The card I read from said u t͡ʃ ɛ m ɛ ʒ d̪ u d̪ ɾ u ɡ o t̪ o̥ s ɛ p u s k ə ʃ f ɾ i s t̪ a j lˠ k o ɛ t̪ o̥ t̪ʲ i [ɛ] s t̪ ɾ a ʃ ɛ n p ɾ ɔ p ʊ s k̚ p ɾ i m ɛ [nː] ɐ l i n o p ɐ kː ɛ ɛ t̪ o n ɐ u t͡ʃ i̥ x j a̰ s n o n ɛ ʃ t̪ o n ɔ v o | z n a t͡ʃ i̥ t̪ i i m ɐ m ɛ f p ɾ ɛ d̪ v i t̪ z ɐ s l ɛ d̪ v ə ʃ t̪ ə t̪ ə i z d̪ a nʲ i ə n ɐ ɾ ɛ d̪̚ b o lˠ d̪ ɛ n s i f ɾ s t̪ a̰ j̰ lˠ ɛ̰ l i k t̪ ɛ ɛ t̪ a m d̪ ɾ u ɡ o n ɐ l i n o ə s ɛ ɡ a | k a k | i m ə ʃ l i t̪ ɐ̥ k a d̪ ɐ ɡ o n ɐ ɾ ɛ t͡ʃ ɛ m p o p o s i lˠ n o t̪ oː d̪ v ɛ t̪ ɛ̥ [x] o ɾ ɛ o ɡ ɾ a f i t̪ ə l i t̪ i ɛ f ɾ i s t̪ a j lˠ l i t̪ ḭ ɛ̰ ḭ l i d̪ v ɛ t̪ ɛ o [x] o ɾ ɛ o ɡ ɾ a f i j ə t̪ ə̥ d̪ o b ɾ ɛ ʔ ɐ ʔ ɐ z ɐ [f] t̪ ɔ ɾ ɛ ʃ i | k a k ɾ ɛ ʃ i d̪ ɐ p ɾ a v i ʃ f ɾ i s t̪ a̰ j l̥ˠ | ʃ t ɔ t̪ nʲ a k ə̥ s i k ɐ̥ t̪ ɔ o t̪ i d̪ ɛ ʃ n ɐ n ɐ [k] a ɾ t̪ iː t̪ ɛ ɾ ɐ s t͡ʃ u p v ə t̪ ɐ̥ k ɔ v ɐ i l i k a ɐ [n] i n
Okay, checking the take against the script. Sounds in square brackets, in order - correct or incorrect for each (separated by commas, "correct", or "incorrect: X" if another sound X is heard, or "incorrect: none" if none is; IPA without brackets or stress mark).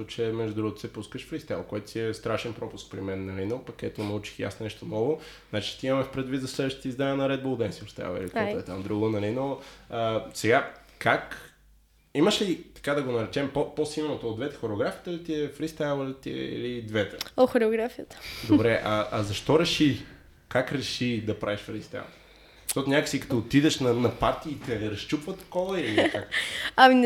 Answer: correct, correct, correct, correct, incorrect: ʃ, incorrect: p, incorrect: m